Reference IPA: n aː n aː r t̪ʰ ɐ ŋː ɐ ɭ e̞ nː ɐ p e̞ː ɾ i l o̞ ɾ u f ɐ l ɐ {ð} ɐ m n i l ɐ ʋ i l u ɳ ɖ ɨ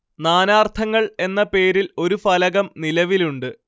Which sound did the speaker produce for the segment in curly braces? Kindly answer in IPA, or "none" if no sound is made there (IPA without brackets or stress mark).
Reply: ɣ